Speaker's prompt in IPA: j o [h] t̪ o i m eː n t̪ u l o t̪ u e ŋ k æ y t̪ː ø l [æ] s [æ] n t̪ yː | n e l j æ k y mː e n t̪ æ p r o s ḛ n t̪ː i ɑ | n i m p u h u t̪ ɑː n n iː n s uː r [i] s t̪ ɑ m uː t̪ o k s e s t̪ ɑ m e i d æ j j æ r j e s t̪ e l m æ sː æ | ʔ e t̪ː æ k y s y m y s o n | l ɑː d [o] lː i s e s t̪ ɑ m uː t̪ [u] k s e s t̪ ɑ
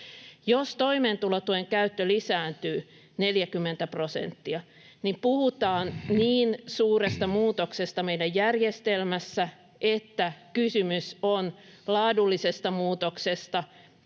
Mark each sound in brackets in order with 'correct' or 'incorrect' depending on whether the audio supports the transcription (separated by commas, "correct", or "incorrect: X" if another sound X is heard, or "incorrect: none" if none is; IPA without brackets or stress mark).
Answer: incorrect: s, incorrect: i, incorrect: æː, incorrect: e, incorrect: u, incorrect: o